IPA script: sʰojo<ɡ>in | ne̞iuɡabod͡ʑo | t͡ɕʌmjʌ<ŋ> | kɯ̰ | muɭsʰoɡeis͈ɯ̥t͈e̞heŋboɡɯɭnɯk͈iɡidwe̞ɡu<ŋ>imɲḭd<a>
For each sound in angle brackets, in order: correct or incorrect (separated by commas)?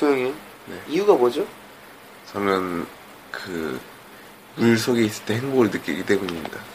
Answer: incorrect, incorrect, incorrect, correct